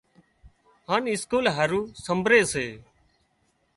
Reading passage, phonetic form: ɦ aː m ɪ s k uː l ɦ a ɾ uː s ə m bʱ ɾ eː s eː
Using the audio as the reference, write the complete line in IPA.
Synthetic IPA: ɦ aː n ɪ s k uː l ɦ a ɾ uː s ə m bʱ ɾ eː s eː